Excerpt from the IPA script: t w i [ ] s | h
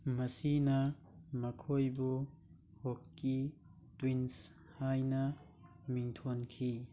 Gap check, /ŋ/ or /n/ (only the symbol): n